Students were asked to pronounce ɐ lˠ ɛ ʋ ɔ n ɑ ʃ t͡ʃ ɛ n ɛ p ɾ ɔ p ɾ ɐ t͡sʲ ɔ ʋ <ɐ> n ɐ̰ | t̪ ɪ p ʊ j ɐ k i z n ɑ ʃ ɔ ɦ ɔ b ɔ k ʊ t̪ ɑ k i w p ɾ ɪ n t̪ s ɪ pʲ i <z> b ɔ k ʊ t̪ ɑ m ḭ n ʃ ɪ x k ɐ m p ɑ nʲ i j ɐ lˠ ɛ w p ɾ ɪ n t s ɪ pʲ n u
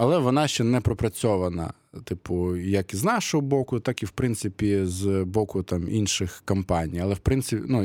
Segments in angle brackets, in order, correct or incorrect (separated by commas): correct, correct